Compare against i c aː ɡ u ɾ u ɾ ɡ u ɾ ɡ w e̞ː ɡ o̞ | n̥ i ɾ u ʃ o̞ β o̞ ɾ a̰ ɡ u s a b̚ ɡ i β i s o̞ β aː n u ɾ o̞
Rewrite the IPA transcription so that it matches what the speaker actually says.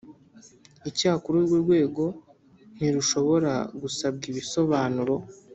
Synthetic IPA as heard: i c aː k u ɾ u ɾ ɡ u ɾ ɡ w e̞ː ɡ o̞ | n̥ i ɾ u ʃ o̞ β o̞ ɾ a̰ ɡ u s a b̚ ɡ i β i s o̞ β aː n u ɾ o̞